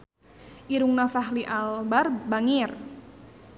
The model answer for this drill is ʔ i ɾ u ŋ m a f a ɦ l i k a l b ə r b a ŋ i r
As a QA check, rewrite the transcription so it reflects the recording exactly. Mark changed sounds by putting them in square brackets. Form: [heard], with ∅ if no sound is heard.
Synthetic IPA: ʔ i ɾ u ŋ [n] a f a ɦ l i [ʔ] a l b [a] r b a ŋ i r